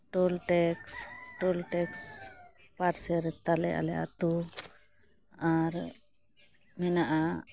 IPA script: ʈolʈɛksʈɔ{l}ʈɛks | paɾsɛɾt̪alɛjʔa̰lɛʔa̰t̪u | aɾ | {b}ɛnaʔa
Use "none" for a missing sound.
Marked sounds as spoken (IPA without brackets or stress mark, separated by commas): l, m